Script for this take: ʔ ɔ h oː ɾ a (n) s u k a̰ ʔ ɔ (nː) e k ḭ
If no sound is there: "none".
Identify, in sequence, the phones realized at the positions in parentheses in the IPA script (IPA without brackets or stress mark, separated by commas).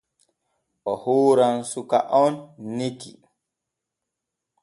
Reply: n, nː